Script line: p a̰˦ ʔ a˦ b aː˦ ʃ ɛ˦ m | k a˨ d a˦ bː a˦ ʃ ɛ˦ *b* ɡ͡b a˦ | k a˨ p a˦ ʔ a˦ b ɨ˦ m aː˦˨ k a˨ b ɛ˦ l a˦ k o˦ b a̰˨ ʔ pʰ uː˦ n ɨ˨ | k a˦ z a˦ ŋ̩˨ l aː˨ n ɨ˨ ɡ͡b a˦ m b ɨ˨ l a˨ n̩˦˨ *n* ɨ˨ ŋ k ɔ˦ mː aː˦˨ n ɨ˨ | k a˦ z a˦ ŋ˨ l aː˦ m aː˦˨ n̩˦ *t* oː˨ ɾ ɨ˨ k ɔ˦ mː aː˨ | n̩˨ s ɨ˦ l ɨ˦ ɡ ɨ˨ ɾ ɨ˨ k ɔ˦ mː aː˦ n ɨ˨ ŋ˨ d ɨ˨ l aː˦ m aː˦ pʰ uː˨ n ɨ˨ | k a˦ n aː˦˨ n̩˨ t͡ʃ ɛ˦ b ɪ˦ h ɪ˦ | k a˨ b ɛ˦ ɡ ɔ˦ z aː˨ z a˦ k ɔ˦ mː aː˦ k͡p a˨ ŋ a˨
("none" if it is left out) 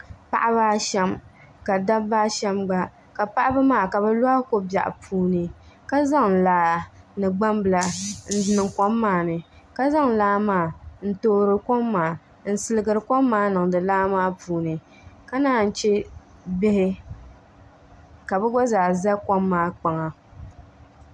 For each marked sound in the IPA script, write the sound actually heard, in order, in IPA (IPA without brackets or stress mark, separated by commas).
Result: m, n, t